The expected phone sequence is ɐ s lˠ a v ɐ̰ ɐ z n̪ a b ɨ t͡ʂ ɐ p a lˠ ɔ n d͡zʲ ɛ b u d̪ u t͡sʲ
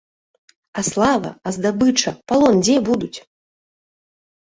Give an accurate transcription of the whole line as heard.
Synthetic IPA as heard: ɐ s lˠ a v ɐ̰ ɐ z d̪ a b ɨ t͡ʂ ɐ p a lˠ ɔ n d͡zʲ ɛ b u d̪ u t͡sʲ